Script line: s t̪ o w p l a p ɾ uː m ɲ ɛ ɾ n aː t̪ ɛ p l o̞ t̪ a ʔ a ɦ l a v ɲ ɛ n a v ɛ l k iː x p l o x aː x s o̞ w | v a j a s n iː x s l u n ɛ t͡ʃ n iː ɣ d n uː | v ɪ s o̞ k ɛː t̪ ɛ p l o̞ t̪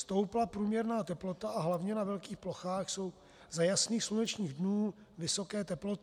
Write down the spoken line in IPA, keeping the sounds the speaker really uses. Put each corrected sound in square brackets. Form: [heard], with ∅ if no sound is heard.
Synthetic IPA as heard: s t̪ o w p l a p ɾ uː m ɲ ɛ ɾ n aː t̪ ɛ p l o̞ t̪ a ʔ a ɦ l a v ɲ ɛ n a v ɛ l k iː x p l o x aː x s o̞ w | [z] a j a s n iː x s l u n ɛ t͡ʃ [ɲ] iː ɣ d n uː | v ɪ s o̞ k ɛː t̪ ɛ p l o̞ t̪